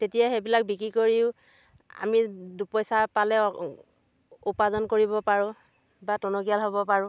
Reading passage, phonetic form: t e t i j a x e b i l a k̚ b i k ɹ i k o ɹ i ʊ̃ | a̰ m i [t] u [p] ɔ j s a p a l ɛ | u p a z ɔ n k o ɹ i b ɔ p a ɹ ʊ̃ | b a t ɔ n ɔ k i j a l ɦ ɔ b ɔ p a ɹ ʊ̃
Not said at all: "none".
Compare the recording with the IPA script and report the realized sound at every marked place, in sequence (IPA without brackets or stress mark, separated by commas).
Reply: d, p